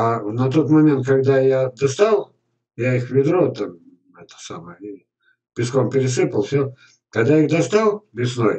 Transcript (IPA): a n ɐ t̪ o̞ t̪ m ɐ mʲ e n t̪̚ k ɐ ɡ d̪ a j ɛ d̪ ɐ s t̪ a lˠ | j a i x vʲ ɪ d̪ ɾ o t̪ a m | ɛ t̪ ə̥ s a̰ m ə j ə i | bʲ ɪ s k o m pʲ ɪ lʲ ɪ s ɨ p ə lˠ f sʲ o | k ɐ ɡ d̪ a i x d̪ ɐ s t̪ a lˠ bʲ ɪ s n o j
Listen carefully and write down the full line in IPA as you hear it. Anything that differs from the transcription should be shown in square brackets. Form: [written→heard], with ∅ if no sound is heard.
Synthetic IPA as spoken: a n ɐ t̪ o̞ t̪ m ɐ mʲ e n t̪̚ k ɐ ɡ d̪ a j [ɛ→a] d̪ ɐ s t̪ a lˠ | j a i x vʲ ɪ d̪ ɾ o t̪ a m | ɛ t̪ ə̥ s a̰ m ə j ə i | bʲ ɪ s k o m pʲ ɪ [lʲ→ɾʲ] ɪ s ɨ p ə lˠ f sʲ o | k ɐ ɡ d̪ a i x d̪ ɐ s t̪ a lˠ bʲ ɪ s n o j